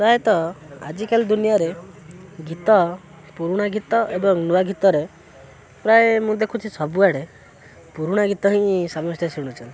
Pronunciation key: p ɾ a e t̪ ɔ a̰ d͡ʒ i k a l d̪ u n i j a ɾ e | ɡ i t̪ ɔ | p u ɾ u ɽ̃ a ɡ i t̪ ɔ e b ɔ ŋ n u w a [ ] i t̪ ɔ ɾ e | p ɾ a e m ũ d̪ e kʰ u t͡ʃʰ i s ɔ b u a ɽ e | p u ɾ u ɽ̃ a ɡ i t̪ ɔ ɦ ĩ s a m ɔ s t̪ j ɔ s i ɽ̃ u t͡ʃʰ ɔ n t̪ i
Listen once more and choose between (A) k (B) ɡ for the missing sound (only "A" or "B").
B